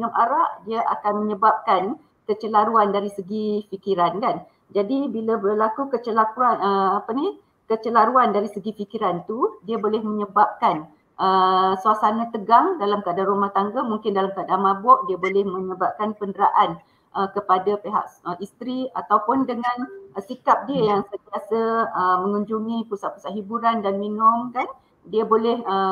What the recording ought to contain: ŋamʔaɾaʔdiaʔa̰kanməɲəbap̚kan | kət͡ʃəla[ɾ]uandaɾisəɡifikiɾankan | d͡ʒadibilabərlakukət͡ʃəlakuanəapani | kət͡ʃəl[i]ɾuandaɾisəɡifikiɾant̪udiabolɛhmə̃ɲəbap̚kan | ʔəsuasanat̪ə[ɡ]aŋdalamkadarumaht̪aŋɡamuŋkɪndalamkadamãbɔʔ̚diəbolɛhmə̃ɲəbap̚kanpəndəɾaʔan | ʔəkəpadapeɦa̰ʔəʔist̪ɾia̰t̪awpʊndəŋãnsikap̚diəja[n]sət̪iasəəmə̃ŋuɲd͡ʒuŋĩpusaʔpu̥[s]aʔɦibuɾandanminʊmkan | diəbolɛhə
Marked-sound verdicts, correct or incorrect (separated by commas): correct, incorrect, correct, incorrect, correct